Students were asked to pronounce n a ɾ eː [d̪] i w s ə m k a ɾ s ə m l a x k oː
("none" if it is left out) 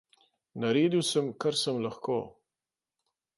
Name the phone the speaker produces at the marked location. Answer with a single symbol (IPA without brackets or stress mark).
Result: d̪